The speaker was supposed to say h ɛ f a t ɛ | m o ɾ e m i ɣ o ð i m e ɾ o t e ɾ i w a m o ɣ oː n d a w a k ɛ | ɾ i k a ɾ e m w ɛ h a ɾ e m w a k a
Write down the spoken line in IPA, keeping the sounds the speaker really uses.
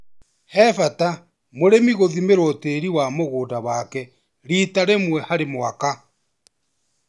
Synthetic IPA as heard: h ɛ f a t a | m o ɾ e m i ɣ o ð i m e ɾ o t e ɾ i w a m o ɣ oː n d a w a k ɛ | ɾ i t a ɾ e m w ɛ h a ɾ e m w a k a